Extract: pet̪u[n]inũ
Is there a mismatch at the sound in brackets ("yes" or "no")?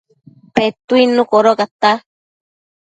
yes